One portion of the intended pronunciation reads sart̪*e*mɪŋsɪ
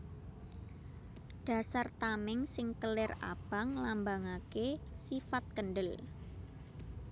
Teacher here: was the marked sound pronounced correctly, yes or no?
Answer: no